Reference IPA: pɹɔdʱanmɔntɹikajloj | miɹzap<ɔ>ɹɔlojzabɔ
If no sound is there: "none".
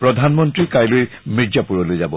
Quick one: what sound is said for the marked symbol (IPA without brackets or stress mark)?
u